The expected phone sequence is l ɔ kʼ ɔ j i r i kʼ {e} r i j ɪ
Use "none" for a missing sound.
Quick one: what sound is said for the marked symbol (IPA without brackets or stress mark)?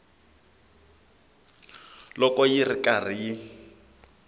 a